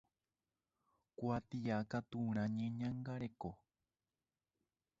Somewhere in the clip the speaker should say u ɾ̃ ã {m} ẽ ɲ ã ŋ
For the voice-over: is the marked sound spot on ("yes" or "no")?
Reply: no